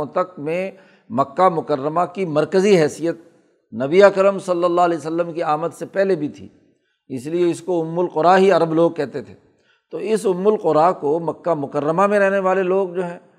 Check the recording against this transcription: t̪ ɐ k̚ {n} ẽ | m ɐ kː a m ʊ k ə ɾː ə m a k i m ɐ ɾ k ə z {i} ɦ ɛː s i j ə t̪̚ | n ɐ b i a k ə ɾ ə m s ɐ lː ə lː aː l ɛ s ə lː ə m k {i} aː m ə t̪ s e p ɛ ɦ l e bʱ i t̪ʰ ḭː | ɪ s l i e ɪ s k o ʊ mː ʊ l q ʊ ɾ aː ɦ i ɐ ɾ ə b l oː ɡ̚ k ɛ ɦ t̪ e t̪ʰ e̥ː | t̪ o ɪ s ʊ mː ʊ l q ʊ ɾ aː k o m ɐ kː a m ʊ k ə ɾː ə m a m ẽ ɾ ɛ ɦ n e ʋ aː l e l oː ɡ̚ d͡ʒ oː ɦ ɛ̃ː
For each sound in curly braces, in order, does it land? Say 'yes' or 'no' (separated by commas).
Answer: no, yes, yes